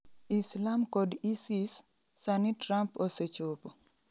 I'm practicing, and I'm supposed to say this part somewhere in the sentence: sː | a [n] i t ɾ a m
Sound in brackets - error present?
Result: no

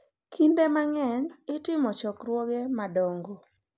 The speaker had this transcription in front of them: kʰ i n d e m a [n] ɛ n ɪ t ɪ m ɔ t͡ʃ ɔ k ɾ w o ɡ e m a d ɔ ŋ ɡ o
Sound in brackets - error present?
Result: yes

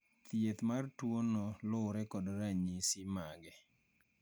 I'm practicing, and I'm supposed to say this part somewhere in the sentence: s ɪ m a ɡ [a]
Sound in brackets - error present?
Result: yes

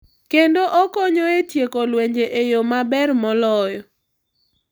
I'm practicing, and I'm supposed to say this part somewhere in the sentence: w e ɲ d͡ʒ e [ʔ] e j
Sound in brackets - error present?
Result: no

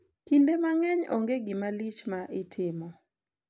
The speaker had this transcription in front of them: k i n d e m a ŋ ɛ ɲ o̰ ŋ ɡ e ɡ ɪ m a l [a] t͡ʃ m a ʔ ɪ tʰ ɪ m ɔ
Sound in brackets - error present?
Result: yes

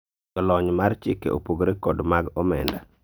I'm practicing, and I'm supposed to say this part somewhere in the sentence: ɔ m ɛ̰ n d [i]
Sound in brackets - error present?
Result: yes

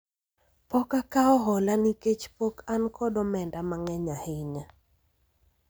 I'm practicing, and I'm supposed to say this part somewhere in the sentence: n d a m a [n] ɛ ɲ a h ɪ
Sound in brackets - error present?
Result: yes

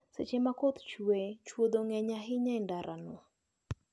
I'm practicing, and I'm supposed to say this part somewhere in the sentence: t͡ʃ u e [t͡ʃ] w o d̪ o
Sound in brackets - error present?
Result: no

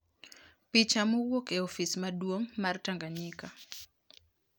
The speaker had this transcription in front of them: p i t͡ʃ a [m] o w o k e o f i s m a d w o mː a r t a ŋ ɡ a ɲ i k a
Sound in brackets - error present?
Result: no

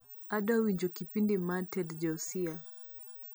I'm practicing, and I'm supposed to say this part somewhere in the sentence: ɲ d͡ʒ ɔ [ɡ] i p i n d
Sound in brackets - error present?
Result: yes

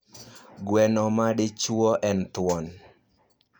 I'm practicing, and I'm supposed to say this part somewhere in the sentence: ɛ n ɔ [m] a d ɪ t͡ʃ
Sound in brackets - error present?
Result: no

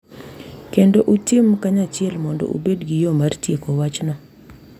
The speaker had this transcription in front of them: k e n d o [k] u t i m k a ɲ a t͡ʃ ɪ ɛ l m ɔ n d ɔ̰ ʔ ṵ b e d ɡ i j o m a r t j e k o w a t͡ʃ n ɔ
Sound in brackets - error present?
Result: yes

